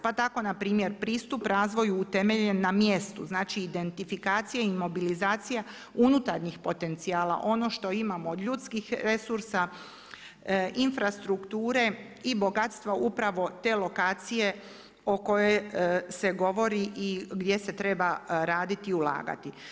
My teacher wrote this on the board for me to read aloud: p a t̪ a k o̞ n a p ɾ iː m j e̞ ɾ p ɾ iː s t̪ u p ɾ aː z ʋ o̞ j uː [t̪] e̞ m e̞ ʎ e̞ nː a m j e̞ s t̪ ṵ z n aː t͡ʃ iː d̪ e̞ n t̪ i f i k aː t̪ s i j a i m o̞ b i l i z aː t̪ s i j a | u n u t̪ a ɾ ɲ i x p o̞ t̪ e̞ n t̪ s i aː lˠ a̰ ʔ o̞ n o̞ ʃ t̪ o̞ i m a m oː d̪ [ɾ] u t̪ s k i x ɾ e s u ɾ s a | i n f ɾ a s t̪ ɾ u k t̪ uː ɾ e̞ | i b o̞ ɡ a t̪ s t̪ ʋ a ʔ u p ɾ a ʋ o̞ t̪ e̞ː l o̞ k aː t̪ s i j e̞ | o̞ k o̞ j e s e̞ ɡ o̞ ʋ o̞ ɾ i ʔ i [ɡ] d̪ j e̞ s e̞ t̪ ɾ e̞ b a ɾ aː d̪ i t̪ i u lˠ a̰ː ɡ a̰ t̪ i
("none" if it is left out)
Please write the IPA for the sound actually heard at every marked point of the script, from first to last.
t̪, ʎ, ɡ

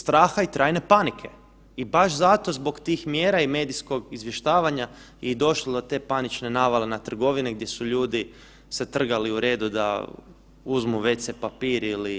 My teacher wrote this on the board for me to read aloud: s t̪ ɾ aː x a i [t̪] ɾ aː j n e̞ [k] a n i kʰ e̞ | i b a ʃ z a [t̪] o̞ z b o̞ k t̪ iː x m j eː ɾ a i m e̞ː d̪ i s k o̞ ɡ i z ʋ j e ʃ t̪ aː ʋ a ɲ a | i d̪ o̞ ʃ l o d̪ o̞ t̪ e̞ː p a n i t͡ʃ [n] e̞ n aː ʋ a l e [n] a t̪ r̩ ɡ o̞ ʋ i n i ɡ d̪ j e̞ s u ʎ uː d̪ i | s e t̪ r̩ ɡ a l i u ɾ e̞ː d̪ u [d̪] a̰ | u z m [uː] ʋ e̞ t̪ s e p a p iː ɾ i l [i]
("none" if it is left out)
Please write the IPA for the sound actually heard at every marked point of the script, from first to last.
t̪, p, t̪, n, n, d̪, u, i

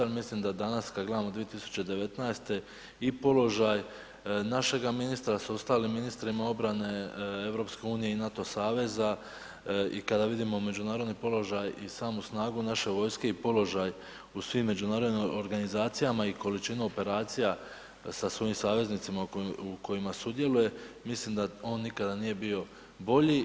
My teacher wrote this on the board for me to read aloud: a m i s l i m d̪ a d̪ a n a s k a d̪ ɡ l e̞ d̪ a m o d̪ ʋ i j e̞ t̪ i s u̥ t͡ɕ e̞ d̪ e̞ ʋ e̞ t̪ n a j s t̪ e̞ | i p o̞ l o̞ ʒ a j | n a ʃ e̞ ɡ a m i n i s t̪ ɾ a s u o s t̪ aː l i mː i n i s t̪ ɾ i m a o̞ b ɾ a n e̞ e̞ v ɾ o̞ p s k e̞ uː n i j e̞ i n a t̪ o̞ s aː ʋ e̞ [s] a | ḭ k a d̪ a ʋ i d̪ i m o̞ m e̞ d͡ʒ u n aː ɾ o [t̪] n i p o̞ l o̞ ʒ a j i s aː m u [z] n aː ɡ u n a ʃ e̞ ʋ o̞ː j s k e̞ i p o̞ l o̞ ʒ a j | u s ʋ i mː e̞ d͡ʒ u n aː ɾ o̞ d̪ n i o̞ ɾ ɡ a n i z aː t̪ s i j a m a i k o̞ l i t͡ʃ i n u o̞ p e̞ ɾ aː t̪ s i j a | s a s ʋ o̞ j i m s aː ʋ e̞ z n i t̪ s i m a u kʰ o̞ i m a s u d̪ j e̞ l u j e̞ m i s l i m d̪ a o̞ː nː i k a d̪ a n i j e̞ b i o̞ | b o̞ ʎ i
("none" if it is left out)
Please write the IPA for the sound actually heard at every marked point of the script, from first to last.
z, d̪, s

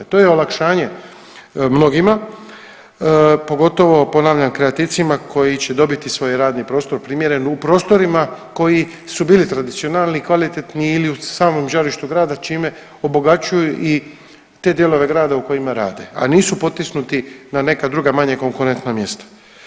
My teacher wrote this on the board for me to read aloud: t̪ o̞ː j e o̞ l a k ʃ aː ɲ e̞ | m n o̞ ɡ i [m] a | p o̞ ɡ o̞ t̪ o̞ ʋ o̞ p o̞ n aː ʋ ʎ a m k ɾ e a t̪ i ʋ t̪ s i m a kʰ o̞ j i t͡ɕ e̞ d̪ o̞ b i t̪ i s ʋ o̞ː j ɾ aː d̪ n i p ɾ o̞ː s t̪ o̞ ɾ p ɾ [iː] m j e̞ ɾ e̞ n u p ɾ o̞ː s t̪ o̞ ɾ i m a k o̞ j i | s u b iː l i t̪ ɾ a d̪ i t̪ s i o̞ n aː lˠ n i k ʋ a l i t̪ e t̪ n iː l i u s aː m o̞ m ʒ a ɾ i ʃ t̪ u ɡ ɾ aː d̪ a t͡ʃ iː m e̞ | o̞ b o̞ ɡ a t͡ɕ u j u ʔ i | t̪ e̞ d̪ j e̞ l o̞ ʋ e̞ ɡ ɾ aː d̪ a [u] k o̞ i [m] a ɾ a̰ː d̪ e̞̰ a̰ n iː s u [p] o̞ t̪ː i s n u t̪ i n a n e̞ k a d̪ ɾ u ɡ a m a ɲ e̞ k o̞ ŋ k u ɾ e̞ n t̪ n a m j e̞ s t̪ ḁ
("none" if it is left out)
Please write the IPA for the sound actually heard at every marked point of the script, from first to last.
m, i, u, m, p

